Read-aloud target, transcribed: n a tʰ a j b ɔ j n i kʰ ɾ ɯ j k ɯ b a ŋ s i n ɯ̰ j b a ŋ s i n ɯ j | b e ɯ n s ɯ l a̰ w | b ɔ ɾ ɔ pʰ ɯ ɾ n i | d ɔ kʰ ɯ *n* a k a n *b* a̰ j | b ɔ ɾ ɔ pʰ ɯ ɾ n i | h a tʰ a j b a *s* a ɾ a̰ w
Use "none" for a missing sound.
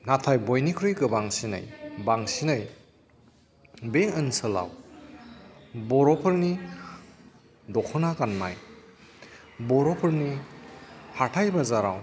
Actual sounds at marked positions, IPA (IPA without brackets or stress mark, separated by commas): n, m, z